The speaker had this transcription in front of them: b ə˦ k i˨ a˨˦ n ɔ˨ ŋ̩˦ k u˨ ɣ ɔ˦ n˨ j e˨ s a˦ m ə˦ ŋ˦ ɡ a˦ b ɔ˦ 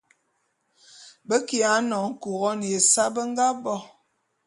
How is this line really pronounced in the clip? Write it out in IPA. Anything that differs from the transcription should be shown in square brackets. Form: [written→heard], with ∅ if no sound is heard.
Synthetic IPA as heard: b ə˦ k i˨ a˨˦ n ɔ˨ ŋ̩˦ k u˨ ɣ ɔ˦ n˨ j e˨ s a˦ [m→b] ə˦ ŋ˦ ɡ a˦ b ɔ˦